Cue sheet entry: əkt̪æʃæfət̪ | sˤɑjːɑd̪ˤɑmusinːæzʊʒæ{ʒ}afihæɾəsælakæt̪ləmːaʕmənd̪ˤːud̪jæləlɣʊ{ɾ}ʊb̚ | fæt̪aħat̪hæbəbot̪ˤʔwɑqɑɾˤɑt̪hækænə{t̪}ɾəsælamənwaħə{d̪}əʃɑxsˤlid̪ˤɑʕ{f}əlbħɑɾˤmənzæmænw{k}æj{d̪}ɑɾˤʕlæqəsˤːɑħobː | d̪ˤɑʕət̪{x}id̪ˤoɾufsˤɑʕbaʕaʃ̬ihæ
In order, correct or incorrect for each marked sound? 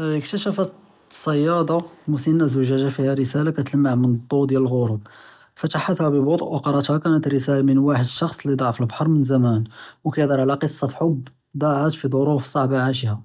correct, correct, correct, correct, correct, correct, correct, incorrect

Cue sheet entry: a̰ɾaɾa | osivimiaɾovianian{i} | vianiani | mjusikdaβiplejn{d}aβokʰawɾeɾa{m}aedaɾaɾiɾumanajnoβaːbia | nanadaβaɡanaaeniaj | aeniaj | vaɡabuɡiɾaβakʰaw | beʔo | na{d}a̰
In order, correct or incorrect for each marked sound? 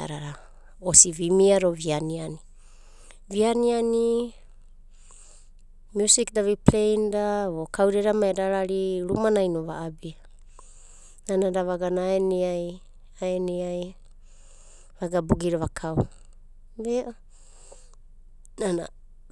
correct, correct, correct, incorrect

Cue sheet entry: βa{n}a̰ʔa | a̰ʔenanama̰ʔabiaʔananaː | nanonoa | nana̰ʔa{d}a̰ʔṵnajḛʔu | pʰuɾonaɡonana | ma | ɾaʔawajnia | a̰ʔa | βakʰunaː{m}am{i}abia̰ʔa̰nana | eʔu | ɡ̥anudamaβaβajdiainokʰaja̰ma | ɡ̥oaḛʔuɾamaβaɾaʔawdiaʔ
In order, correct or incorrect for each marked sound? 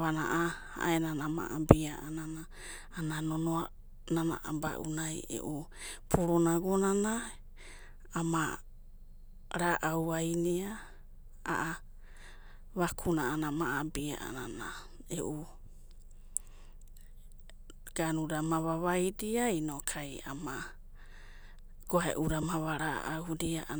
correct, incorrect, incorrect, incorrect

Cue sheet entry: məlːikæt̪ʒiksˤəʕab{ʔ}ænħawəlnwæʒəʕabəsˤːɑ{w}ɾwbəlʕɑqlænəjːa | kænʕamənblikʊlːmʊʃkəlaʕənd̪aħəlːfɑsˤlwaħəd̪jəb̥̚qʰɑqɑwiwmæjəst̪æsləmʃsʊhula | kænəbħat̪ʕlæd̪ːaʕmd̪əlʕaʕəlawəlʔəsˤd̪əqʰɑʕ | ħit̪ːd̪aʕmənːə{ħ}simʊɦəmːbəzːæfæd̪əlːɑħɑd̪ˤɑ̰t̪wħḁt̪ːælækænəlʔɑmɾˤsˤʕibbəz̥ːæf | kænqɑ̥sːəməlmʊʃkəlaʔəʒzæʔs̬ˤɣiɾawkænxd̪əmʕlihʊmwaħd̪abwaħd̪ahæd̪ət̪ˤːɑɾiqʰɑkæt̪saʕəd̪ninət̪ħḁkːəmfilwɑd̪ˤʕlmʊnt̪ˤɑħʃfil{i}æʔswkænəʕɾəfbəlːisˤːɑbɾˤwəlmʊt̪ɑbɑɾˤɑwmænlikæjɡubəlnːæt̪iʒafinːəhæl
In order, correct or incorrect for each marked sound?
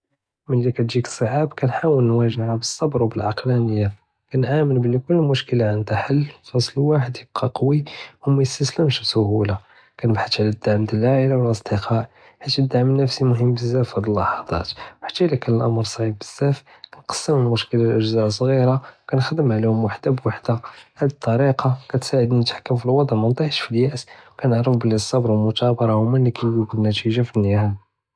incorrect, incorrect, incorrect, incorrect

